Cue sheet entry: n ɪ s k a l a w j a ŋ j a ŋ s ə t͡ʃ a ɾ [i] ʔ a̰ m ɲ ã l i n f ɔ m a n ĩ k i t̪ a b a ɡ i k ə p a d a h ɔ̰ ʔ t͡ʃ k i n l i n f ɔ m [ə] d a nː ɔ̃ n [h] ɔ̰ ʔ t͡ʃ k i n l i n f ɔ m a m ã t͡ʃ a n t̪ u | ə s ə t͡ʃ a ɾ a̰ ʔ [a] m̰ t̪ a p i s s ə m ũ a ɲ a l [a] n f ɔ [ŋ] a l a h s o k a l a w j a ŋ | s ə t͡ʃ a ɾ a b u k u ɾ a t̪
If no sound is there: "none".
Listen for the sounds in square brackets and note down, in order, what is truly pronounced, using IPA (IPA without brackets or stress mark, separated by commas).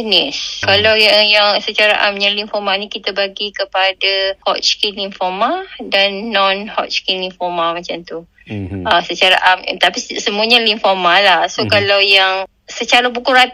a, a, h, a, i, m